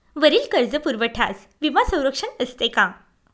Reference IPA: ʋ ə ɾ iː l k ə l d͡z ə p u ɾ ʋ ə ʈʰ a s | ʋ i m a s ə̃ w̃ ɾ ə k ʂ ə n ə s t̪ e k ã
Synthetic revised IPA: ʋ ə ɾ iː l k ə ɾ d͡z ə p u ɾ ʋ ə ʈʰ a s | ʋ i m a s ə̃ w̃ ɾ ə k ʂ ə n ə s t̪ e k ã